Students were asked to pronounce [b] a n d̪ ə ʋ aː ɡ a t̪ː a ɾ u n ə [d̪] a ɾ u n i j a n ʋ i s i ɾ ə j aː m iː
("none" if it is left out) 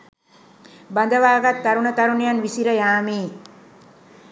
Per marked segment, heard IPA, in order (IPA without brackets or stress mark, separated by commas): b, t̪